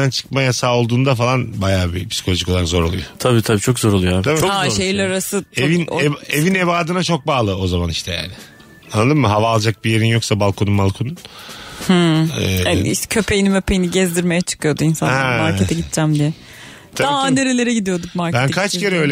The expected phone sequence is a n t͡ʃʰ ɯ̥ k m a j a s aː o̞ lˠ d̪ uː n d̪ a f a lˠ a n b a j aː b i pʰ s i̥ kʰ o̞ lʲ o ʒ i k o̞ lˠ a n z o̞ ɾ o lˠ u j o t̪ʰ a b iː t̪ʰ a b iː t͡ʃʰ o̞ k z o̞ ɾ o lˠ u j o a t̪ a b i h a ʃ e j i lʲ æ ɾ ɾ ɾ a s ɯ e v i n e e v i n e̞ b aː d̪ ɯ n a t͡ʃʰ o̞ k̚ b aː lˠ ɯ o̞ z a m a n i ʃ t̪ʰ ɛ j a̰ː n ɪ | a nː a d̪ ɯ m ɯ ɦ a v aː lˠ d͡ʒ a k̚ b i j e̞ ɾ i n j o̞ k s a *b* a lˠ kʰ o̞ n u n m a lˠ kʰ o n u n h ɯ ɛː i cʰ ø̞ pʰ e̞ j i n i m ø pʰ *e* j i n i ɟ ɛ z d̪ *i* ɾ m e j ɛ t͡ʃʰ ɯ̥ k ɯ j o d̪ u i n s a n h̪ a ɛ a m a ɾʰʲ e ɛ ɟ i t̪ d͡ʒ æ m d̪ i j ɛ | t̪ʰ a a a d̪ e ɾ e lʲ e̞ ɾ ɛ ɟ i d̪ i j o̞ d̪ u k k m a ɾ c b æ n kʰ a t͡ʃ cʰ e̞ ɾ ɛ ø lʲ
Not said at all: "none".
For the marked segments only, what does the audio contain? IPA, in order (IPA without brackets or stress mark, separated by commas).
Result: b, e, i